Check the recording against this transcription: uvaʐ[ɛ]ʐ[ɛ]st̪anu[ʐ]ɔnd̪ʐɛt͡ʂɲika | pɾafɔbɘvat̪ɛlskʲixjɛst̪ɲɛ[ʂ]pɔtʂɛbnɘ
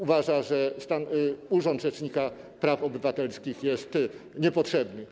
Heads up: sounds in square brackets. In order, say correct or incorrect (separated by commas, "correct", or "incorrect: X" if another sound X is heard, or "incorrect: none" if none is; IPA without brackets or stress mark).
incorrect: a, correct, correct, incorrect: none